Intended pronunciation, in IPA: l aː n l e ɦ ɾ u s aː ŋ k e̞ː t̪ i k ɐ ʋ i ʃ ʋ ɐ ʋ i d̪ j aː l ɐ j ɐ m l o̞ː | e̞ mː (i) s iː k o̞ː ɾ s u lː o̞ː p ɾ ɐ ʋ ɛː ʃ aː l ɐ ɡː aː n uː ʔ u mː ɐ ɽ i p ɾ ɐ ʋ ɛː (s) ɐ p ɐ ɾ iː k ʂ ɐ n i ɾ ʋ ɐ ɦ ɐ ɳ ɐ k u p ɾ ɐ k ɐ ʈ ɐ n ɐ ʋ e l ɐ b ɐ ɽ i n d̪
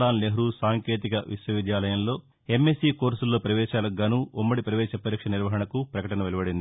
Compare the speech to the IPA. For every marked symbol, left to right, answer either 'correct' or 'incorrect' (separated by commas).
incorrect, incorrect